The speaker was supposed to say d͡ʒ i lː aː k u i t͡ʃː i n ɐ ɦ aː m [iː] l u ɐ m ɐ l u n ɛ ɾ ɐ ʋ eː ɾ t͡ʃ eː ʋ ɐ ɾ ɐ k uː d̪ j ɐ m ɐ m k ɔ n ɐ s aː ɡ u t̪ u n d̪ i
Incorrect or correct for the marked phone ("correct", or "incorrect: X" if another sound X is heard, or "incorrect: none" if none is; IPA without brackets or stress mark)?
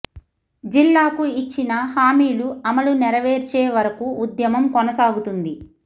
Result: correct